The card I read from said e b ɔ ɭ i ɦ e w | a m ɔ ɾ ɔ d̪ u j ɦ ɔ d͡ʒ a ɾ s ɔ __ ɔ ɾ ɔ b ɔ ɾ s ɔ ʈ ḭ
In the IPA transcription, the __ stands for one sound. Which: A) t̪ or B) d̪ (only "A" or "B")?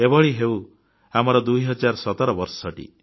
A